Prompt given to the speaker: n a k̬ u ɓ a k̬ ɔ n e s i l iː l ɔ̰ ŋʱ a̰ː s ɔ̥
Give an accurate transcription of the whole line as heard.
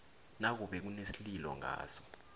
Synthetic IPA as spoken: n a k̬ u ɓ ɛ k̬ u n e s i l i l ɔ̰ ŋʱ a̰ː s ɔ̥